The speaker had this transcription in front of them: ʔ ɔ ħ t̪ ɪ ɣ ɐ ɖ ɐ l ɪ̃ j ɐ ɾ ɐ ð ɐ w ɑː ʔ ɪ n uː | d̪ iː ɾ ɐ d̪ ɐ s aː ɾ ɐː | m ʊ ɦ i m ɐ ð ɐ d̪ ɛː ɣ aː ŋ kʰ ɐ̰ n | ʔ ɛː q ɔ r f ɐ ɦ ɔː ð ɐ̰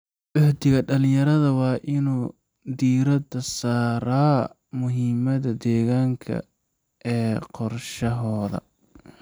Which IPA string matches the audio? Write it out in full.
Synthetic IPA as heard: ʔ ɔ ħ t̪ ɪ ɣ ɐ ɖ ɐ l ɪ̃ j ɐ ɾ ɐ ð ɐ w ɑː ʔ ɪ n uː | d̪ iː ɾ ɐ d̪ ɐ s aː ɾ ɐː | m ʊ ɦ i m ɐ ð ɐ d̪ ɛː ɣ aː ŋ kʰ ɐ̰ | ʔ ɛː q ɔ r ʃ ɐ ɦ ɔː ð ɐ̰

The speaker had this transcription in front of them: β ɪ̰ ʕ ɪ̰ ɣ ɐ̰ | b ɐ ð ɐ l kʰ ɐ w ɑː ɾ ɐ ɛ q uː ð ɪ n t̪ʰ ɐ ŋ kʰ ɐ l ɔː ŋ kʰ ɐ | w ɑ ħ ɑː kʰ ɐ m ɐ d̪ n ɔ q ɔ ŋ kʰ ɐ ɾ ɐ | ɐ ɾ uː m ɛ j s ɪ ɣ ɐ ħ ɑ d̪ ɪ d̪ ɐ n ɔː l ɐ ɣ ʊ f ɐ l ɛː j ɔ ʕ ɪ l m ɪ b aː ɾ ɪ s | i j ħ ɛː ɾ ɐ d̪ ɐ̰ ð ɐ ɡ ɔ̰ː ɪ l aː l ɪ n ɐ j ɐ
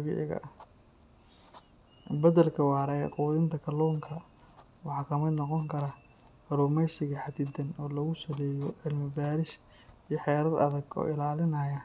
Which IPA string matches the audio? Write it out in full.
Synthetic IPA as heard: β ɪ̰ ʕ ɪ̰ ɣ ɐ̰ | b ɐ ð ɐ l kʰ ɐ w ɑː ɾ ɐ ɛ q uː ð ɪ n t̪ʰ ɐ kʰ ɐ l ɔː ŋ kʰ ɐ | w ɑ ħ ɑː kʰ ɐ m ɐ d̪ n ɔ q ɔ ŋ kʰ ɐ ɾ ɐ | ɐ ɾ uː m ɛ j s ɪ ɣ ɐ ħ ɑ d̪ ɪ d̪ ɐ n ɔː l ɐ ɣ ʊ s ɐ l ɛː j ɔ ʕ ɪ l m ɪ b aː ɾ ɪ s | i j ħ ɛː ɾ ɐ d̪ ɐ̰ ð ɐ ɡ ɔ̰ː ɪ l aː l ɪ n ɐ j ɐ

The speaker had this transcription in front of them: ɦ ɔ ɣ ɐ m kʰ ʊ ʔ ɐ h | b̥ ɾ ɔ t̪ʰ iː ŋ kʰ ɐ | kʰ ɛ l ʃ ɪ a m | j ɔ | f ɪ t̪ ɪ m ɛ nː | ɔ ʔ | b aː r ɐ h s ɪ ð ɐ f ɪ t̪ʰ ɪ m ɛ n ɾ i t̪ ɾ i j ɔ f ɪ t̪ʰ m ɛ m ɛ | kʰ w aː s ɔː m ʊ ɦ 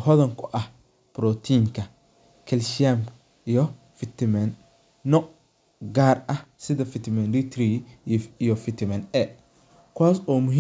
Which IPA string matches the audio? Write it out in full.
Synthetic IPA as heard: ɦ ɔ ð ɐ ŋ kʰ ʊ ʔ ɐ h | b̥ ɾ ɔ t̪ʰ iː ŋ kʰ ɐ | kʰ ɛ l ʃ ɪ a m | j ɔ | f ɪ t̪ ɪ m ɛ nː | ɔ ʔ | ɡ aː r ɐ h s ɪ ð ɐ f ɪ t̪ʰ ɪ m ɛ n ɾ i t̪ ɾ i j ɔ f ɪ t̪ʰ m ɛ n ɛ | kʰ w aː s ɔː m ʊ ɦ

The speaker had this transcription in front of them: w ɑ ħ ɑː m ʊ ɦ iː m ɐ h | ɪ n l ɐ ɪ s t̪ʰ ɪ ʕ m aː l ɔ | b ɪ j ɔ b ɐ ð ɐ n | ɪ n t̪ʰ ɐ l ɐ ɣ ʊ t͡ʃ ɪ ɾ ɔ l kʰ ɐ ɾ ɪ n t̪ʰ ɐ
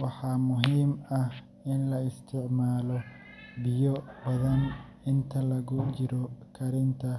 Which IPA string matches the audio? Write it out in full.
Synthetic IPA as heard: w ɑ ħ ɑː m ʊ ɦ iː m ɐ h | ɪ n l ɐ ɪ s t̪ʰ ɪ ʕ m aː l ɔ | b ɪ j ɔ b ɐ ð ɐ n | ɪ n t̪ʰ ɐ l ɐ ɣ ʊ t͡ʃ ɪ ɾ ɔ kʰ ɐ ɾ ɪ n t̪ʰ ɐ

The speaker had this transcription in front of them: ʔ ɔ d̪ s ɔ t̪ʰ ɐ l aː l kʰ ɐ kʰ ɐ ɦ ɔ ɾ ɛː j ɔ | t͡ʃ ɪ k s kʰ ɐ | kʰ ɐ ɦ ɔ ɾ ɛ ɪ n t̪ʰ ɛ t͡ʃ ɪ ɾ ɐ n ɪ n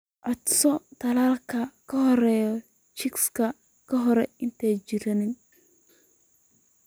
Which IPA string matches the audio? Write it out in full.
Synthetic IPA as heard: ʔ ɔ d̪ s ɔ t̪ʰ ɐ l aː l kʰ ɐ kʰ ɐ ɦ ɔ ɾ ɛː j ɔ | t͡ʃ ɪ k s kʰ ɐ | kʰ ɐ ɦ ɔ ɾ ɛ ɪ n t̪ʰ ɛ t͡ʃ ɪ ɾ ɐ n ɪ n

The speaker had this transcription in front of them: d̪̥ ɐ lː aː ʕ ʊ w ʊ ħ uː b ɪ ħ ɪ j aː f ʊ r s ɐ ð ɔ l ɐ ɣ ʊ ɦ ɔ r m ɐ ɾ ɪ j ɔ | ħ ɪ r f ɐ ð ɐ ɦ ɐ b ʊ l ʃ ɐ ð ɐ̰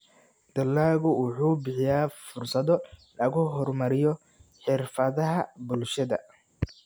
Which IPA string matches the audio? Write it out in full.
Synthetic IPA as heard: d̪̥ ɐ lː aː ɣ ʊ w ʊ ħ uː b ɪ ħ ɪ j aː f ʊ r s ɐ ð ɔ l ɐ ɣ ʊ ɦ ɔ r m ɐ ɾ ɪ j ɔ | ħ ɪ r f ɐ ð ɐ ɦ ɐ b ʊ l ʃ ɐ ð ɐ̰

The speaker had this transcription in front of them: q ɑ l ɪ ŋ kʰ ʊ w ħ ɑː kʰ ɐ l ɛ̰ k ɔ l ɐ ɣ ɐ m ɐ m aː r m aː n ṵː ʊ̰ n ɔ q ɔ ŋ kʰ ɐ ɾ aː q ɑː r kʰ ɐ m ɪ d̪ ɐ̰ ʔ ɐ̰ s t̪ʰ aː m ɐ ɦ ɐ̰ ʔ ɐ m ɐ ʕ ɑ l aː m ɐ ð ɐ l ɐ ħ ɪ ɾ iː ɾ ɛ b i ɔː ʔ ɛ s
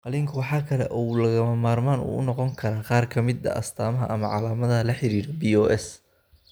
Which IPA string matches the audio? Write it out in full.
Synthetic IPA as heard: q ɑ l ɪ ŋ kʰ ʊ w ħ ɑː kʰ ɐ l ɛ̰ ʔ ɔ l ɐ ɣ ɐ m ɐ m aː r m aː n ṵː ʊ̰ n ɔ q ɔ ŋ kʰ ɐ ɾ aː q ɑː r kʰ ɐ m ɪ d̪ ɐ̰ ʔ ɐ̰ s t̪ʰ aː m ɐ ɦ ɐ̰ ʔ ɐ m ɐ ʕ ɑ l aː m ɐ ð ɐ l ɐ ħ ɪ ɾ iː ɾ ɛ b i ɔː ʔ ɛ s

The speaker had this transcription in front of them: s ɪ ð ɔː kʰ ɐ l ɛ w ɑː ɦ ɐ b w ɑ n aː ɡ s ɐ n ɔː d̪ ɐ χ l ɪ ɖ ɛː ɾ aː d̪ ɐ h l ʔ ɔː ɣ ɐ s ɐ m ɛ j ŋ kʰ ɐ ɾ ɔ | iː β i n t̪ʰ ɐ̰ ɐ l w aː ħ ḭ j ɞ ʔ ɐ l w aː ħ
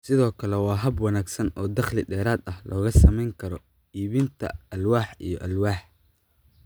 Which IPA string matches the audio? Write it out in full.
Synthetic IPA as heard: s ɪ ð ɔː kʰ ɐ l ɛ w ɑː ɦ ɐ b w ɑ n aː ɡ s ɐ n ɔː d̪ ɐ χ l ɪ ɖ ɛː ɾ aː d̪ ɐ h l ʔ ɔː ɣ ɐ s ɐ m ɛ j ŋ kʰ ɐ ɾ ɔ | iː β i n t̪ʰ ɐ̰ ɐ l w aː ħ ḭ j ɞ ʔ ɐ l w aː ħ

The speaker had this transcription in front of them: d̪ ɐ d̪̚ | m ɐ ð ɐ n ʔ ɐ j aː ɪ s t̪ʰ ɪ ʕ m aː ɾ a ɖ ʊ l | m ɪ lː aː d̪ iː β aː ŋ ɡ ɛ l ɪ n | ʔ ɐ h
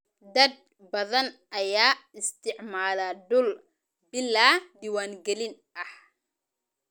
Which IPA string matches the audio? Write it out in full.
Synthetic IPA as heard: d̪ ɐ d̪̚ | b ɐ ð ɐ n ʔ ɐ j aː ɪ s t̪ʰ ɪ ʕ m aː l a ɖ ʊ l | b ɪ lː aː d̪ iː w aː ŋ ɡ ɛ l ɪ n | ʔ ɐ h

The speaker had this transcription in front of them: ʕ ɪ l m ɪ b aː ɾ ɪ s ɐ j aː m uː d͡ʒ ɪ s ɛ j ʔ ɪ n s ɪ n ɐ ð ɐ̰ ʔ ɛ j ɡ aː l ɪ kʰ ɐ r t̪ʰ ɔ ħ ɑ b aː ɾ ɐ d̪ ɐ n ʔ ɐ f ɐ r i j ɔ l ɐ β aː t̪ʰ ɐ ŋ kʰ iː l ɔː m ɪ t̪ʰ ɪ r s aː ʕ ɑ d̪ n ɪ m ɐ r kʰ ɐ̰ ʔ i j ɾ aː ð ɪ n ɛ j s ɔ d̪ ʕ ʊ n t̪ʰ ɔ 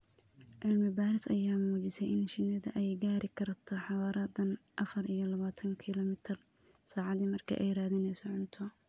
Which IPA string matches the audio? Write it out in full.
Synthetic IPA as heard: ʕ ɪ l m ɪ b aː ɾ ɪ s ɐ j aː m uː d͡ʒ ɪ s ɛ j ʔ ɪ n ʃ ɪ n ɐ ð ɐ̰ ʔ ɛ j ɡ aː ɾ ɪ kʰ ɐ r t̪ʰ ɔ ħ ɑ w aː ɾ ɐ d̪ ɐ n ʔ ɐ f ɐ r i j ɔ l ɐ β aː t̪ʰ ɐ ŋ kʰ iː l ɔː m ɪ t̪ʰ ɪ r s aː ʕ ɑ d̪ n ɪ m ɐ r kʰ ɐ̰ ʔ ɛ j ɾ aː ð ɪ n ɛ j s ɔ ʕ ʊ n t̪ʰ ɔ

